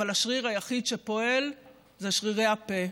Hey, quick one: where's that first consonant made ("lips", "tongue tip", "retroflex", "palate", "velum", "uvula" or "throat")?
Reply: tongue tip